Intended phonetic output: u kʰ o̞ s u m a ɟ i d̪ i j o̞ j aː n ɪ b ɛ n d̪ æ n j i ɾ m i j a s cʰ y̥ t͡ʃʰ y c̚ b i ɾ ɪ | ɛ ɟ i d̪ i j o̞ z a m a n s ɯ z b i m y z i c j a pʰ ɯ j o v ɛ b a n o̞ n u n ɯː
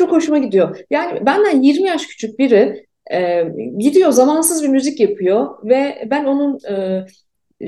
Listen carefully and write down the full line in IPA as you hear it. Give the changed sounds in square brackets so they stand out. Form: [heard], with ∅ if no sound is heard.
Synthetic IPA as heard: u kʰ o̞ [ʃ] u m a ɟ i d̪ i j o̞ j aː n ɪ b [æ] n d̪ æ n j i ɾ m i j a [ʃ] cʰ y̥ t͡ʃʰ y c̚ b i ɾ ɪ | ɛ ɟ i d̪ i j o̞ z a m a n s ɯ z b i m y z i c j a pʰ ɯ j o v ɛ b [æ] n o̞ n u n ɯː